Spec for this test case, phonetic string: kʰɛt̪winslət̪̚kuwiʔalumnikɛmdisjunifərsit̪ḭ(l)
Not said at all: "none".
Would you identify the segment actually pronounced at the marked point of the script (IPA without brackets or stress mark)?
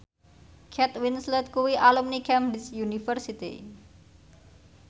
none